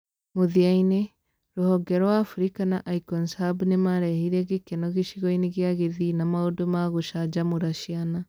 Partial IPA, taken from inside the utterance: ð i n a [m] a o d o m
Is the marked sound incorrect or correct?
correct